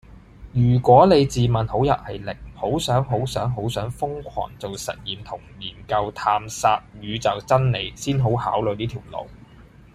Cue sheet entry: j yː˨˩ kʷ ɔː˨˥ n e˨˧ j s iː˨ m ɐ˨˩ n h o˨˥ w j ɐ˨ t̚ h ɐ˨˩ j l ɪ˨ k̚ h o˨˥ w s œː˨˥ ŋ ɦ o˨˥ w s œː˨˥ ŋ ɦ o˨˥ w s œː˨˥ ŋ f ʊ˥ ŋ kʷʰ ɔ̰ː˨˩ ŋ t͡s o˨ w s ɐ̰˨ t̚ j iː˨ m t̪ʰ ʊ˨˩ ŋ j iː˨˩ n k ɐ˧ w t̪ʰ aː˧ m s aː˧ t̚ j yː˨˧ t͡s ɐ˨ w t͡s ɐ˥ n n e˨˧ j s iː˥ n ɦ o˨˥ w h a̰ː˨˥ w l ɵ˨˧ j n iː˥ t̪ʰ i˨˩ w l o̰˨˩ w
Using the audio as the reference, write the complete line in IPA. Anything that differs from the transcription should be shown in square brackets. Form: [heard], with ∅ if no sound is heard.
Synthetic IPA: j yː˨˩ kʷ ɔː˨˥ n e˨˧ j [t͡s] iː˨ m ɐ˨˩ n h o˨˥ w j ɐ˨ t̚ h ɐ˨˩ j l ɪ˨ k̚ h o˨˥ w s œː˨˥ ŋ ɦ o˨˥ w s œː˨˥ ŋ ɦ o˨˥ w s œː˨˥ ŋ f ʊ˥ ŋ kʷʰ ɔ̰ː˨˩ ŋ t͡s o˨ w s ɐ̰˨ t̚ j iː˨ m t̪ʰ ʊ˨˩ ŋ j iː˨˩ n k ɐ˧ w t̪ʰ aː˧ m s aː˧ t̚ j yː˨˧ t͡s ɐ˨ w t͡s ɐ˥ n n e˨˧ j s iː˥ n ɦ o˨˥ w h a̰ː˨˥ w l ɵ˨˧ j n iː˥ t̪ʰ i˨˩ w l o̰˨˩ w